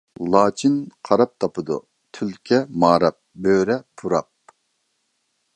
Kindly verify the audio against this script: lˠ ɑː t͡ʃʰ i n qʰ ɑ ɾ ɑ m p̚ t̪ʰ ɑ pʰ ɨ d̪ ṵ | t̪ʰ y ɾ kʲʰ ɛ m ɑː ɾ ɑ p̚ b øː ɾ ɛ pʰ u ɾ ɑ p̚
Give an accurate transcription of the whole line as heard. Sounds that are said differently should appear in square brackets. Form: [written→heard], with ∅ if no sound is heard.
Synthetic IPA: lˠ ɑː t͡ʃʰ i n qʰ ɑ ɾ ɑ [m→∅] p̚ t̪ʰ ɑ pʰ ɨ d̪ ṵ | t̪ʰ y [ɾ→l] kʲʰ ɛ m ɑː ɾ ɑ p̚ b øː ɾ ɛ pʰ u ɾ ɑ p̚